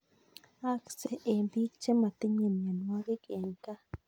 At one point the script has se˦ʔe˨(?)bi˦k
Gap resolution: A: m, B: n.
A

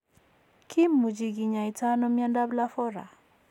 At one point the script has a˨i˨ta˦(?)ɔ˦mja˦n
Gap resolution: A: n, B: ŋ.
A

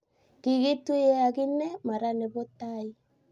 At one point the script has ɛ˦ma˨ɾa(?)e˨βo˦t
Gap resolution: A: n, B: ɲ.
A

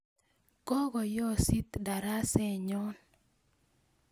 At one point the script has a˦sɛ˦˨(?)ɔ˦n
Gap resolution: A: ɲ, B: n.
A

